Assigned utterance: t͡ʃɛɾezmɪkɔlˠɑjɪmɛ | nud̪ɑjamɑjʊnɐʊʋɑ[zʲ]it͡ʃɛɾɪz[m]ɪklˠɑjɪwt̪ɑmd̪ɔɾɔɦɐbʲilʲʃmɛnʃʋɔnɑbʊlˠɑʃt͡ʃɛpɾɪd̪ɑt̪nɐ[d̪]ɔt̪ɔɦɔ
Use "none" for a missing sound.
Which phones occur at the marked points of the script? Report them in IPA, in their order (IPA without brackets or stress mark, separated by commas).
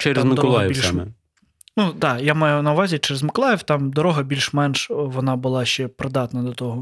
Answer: zʲ, m, d̪